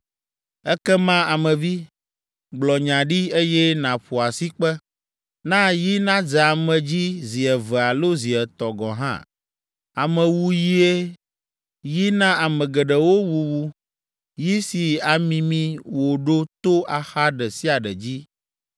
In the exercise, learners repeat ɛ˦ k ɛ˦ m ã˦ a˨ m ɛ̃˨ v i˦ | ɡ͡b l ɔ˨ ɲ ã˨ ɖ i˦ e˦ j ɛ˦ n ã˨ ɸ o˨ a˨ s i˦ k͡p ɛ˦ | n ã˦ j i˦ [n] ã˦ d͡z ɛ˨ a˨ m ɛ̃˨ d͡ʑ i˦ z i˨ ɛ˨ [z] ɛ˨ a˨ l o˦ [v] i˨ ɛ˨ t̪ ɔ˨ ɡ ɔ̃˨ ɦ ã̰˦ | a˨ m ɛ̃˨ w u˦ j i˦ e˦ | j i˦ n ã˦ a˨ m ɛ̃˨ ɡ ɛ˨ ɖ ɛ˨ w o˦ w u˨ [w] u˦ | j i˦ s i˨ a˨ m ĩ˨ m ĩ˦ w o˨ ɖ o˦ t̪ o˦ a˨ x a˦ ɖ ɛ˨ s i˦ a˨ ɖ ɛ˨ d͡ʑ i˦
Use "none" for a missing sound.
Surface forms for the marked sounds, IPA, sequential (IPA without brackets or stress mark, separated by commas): n, v, z, w